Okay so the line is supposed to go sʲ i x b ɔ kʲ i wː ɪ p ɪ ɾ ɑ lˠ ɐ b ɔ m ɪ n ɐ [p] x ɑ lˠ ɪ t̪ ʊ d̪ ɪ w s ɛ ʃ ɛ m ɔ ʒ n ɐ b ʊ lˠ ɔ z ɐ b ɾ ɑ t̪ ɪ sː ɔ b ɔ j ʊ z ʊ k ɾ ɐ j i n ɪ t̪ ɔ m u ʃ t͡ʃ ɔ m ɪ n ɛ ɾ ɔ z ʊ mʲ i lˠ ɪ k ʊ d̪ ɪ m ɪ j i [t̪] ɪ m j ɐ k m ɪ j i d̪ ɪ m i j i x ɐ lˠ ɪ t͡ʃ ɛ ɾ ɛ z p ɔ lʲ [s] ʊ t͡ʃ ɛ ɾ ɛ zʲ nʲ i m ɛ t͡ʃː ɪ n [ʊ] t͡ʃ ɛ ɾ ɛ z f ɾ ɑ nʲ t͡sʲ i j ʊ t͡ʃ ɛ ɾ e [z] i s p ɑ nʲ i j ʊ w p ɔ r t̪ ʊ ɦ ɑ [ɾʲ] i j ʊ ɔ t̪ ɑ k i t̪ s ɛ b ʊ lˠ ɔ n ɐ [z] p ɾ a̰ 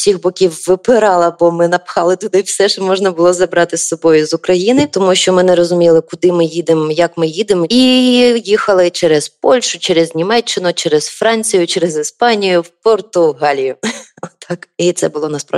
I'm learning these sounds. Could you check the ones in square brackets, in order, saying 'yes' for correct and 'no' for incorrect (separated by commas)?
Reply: yes, no, no, yes, yes, no, no